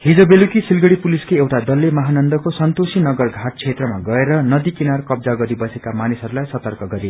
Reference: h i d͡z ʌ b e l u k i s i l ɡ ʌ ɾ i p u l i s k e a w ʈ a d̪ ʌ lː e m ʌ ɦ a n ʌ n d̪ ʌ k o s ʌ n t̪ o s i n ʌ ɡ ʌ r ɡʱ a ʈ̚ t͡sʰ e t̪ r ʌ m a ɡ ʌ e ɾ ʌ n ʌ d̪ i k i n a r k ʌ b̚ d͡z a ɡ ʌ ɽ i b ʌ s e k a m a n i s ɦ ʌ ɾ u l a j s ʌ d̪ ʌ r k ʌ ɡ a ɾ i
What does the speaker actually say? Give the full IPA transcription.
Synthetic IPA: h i d͡z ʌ b e l u k i s i l ɡ ʌ ɽ i p u l i s k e e w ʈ a d̪ ʌ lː e m ʌ ɦ a n ʌ n d̪ ʌ k o s ʌ n t̪ o s i n ʌ ɡ ʌ r ɡʱ a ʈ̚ t͡sʰ e t̪ r ʌ m a ɡ ʌ e ɾ ʌ n ʌ d̪ i k i n a r k ʌ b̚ d͡z a ɡ ʌ ɾ i b ʌ s e k a m a n i s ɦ ʌ ɾ u l a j s ʌ t̪ ʌ r k ʌ ɡ ʌ ɾ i

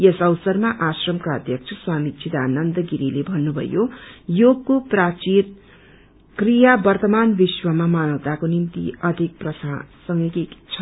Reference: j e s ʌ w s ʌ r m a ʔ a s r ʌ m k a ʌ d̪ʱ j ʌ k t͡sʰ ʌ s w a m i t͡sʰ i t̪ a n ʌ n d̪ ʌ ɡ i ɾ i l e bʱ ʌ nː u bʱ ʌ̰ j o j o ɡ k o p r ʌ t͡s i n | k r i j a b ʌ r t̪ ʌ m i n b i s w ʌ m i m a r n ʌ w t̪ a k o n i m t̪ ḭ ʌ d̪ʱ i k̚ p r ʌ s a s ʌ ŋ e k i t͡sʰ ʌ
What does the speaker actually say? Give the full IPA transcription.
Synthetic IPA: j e s ʌ w s ʌ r m a ʔ a s r ʌ m k a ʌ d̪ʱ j ʌ k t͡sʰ ʌ s w a m i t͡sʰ i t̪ a n ʌ n d̪ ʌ ɡ i ɾ i l e bʱ ʌ nː u bʱ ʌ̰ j o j o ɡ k o p r a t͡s i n | k r i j a b ʌ r t̪ ʌ m a n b i s w ʌ m a m a n ʌ w t̪ a k o n i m t̪ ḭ ʌ d̪ʱ i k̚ p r ʌ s a s ʌ ŋ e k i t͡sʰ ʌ

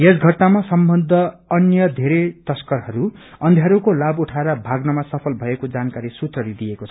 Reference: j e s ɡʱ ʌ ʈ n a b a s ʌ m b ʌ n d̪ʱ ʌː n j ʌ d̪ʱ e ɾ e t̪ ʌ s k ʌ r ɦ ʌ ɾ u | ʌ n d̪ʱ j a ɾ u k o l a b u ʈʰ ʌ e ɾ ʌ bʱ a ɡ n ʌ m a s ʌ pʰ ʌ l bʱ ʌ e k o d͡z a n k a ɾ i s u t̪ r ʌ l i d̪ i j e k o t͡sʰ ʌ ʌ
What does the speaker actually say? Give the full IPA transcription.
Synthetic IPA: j e s ɡʱ ʌ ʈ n a m a s ʌ m b ʌ n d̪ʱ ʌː n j ʌ d̪ʱ e ɾ e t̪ ʌ s k ʌ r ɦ ʌ ɾ u | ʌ n d̪ʱ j a ɾ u k o l a b u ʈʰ a e ɾ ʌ bʱ a ɡ n ʌ m a s ʌ pʰ ʌ l bʱ ʌ e k o d͡z a n k a ɾ i s u t̪ r ʌ l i d̪ i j e k o t͡sʰ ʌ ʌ

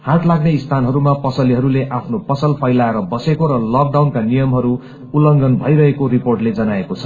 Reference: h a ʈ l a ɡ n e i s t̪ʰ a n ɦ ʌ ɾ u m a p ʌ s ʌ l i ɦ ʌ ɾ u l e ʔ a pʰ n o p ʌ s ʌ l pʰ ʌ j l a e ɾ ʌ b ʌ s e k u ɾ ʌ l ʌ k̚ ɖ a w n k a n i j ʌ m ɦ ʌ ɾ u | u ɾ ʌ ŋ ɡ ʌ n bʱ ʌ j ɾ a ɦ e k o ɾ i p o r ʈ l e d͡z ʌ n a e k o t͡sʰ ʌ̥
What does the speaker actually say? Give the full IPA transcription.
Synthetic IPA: h a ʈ l a ɡ n e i s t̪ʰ a n ɦ ʌ ɾ u m a p ʌ s ʌ l i ɦ ʌ ɾ u l e ʔ a pʰ n o p ʌ s ʌ l pʰ ʌ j l a e ɾ ʌ b ʌ s e k o ɾ ʌ l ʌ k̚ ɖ a w n k a n i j ʌ m ɦ ʌ ɾ u | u l ʌ ŋ ɡ ʌ n bʱ ʌ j ɾ ʌ ɦ e k o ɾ i p o r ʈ l e d͡z ʌ n a e k o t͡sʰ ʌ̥

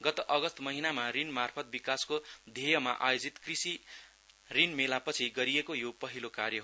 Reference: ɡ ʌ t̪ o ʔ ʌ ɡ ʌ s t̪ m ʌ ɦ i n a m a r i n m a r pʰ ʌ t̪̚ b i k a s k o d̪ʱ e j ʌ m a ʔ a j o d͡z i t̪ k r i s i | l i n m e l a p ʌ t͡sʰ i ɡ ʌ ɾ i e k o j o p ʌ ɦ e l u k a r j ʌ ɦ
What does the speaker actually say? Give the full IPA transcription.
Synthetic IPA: ɡ ʌ t̪ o ʔ ʌ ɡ ʌ s t̪ m ʌ ɦ i n a m a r i n m a r pʰ ʌ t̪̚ b i k a s k o d̪ʱ e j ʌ m a ʔ a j o d͡z i t̪ k r i s i | r i n m e l a p ʌ t͡sʰ i ɡ ʌ ɾ i e k o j o p ʌ ɦ i l o k a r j ʌ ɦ

